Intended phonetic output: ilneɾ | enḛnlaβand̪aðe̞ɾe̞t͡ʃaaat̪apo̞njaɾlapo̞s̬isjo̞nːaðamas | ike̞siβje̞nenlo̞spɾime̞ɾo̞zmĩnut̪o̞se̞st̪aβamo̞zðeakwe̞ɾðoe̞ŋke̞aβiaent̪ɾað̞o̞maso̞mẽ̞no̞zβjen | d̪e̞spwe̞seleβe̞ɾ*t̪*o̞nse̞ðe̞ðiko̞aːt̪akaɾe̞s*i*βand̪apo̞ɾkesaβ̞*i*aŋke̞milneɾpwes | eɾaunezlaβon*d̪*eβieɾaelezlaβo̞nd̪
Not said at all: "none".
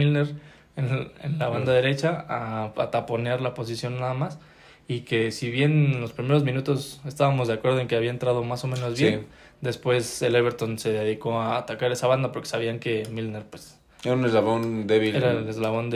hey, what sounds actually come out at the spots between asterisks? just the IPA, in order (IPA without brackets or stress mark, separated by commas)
t̪, a, i, d̪